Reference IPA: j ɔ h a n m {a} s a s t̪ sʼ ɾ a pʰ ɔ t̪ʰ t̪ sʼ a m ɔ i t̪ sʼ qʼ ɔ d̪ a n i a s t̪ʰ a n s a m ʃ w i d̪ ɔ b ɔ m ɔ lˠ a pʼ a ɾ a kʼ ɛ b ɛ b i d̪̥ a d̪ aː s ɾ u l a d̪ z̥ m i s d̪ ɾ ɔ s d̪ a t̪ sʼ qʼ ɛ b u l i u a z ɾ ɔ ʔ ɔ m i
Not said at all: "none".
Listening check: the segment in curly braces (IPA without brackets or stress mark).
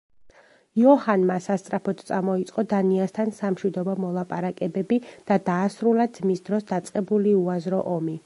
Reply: a